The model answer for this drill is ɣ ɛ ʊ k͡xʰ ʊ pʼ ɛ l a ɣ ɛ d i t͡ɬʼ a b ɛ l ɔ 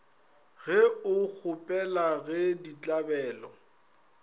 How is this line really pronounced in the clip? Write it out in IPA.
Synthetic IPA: ɣ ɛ ʊ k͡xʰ ʊ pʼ ɛ l a ɣ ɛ d i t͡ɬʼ a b ɛː l ɔ